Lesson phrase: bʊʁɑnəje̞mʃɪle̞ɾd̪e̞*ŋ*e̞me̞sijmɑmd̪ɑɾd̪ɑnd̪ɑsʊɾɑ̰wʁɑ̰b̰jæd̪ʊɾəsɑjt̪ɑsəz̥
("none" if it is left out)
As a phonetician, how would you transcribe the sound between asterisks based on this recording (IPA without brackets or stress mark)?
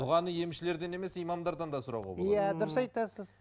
n